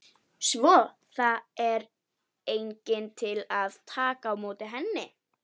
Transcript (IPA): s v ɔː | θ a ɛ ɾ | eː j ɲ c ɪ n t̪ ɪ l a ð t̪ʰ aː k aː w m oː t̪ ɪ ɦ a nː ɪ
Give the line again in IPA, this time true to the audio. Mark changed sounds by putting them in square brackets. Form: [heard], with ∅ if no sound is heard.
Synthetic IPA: s v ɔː | θ a ɛ ɾ | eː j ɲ c ɪ n [t̪ʰ] ɪ l a ð t̪ʰ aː k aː w m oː t̪ ɪ ɦ [ɛ] nː ɪ

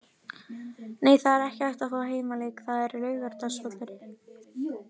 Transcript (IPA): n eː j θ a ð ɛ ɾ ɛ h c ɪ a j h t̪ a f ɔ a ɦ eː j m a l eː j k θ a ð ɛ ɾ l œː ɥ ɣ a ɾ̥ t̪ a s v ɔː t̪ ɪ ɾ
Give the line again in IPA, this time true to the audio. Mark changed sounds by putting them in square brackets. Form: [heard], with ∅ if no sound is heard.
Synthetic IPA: n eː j θ a ð ɛ ɾ ɛ h c ɪ a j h t̪ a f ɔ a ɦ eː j m a l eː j k θ a ð ɛ ɾ l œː ɥ ɣ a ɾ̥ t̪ a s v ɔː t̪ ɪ ɾ

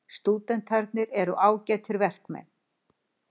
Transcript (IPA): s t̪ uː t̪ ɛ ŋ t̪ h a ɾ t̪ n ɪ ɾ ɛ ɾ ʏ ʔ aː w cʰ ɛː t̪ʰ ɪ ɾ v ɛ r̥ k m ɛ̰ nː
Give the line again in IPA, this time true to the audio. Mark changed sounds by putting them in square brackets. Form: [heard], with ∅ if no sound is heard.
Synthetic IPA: s t̪ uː t̪ ɛ [n] t̪ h a ɾ t̪ n ɪ ɾ ɛ ɾ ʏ ʔ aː w [c] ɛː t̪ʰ ɪ ɾ v ɛ r̥ k m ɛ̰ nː

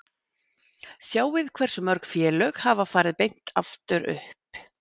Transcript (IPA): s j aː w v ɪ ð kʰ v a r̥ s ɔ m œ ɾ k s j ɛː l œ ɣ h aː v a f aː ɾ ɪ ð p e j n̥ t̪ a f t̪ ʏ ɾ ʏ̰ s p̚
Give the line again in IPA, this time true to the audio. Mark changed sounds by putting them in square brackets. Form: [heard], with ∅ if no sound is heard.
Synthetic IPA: s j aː w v ɪ ð kʰ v [ɛ] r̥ s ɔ m œ ɾ k [f] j ɛː l œ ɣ h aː v a f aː ɾ ɪ ð p e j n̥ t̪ a f t̪ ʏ ɾ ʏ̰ [h] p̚

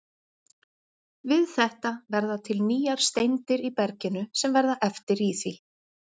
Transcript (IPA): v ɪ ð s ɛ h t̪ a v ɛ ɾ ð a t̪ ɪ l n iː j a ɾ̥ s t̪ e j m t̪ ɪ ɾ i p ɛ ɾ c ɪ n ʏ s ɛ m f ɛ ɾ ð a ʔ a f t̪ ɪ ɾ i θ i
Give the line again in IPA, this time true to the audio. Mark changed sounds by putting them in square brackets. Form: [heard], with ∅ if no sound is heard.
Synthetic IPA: v ɪ ð [θ] ɛ h t̪ a v ɛ ɾ ð a [t̪ʰ] ɪ l n iː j a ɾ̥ s t̪ e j [n] t̪ ɪ ɾ i p ɛ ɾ c ɪ n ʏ s ɛ m [v] ɛ ɾ ð a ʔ [ɛ] f t̪ ɪ ɾ i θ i

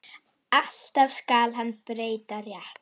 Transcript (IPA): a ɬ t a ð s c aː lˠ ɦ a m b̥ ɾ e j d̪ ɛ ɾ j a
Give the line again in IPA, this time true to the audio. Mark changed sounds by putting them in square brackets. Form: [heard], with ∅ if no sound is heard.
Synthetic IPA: a ɬ t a [v] s [k] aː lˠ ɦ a [n] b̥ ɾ e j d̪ [a] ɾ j a

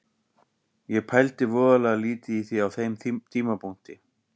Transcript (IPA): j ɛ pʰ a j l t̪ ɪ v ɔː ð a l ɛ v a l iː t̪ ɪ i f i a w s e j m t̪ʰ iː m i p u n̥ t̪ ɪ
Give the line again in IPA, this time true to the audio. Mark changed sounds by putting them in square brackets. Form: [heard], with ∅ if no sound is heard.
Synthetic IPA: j ɛ pʰ a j l t̪ ɪ v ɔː ð a l ɛ [ɣ] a l iː t̪ ɪ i [θ] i a w [θ] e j m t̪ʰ iː m [a] p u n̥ t̪ ɪ

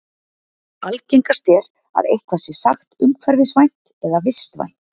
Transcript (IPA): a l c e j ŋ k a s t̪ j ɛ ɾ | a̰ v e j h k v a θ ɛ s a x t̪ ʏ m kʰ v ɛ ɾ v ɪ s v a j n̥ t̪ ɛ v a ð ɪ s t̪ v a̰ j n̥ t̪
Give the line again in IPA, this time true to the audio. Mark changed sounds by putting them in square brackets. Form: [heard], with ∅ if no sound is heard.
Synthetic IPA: a l c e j ŋ k a s t̪ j ɛ ɾ | a̰ [ð] e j h k v a [s] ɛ s a x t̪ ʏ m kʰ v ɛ ɾ v ɪ s v a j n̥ t̪ ɛ [ð] a [v] ɪ s t̪ v a̰ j n̥ t̪

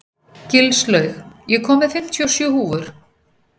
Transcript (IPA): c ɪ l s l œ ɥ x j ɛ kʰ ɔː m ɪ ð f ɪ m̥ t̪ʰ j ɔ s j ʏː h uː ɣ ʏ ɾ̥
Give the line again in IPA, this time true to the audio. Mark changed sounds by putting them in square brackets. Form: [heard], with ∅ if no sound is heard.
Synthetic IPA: c ɪ l s l œ ɥ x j ɛ kʰ ɔː m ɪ ð f ɪ m̥ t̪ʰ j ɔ s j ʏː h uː [v] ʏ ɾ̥

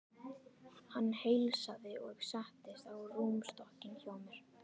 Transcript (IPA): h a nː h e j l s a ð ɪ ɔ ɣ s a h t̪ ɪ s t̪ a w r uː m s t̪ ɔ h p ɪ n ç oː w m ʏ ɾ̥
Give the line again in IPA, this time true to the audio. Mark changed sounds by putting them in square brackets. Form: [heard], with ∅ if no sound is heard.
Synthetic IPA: h a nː h e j l s a ð ɪ ɔ ɣ s a h t̪ ɪ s t̪ a w r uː m s t̪ ɔ h [c] ɪ n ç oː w m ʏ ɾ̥

